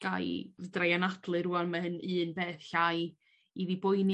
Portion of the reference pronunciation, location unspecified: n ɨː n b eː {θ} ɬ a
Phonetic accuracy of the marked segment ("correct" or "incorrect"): correct